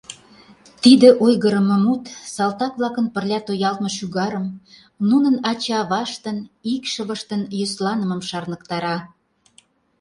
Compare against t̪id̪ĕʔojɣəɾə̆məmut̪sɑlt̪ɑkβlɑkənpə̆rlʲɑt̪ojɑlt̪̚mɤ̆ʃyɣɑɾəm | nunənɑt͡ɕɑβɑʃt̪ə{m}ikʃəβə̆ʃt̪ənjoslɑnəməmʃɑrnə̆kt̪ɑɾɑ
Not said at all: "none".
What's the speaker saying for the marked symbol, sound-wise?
n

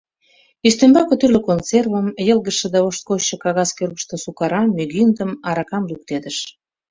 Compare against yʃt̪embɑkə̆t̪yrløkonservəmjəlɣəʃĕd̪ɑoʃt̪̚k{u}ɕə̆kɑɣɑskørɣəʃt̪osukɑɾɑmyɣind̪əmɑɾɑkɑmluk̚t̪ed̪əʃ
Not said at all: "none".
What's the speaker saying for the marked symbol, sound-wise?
o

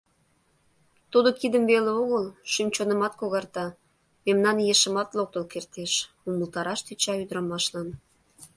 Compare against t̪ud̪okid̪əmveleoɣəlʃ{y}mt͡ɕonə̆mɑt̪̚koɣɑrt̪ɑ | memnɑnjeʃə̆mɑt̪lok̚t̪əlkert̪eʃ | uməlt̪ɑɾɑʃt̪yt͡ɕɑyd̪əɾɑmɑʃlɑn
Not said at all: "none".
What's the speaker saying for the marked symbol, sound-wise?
y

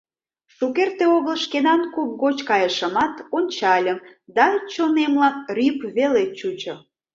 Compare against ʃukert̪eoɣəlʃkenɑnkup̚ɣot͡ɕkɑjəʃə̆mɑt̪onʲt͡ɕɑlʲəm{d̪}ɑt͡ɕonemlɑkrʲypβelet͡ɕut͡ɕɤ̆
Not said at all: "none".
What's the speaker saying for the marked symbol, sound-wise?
d̪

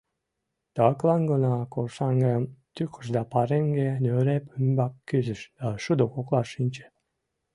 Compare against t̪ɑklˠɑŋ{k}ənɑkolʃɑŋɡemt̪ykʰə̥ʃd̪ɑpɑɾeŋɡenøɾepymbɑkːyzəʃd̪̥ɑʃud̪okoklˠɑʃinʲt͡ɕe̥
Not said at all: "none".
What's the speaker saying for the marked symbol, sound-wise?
ɡ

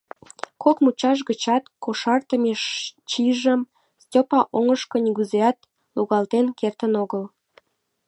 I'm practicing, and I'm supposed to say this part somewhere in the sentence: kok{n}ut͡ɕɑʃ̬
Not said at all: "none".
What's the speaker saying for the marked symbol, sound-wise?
m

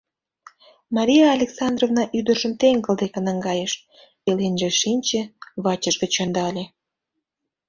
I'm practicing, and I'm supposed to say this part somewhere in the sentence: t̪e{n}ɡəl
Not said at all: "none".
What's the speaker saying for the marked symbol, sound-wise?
ŋ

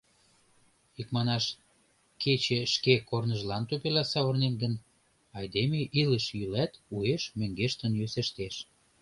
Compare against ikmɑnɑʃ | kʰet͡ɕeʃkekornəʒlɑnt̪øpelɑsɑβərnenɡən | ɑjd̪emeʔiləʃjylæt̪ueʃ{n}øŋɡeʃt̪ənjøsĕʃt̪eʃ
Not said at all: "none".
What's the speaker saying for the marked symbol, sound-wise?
m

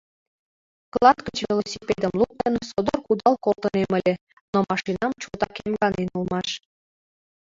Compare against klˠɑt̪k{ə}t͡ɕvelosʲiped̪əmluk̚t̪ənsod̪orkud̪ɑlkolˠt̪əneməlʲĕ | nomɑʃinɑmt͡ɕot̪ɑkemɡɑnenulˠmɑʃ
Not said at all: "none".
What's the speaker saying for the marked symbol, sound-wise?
ə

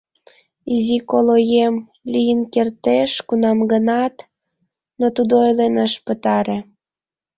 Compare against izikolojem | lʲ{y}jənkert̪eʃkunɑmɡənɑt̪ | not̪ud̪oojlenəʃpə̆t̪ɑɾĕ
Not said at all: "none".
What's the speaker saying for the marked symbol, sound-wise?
i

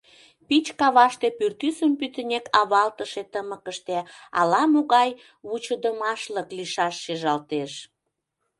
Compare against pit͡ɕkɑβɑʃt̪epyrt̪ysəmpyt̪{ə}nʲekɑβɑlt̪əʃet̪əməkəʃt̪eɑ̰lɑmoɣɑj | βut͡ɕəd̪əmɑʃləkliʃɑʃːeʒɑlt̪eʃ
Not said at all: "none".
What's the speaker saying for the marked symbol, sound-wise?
ə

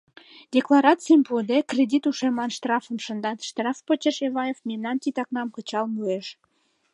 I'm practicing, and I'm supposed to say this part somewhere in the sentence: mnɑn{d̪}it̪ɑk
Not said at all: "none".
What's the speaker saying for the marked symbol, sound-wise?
t̪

